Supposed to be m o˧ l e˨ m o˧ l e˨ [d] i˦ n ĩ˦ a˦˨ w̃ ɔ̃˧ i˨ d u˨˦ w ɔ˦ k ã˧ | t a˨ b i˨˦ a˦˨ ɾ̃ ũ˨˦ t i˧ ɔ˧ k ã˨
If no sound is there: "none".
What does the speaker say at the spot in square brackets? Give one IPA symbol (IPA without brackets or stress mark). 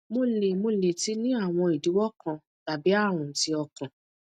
t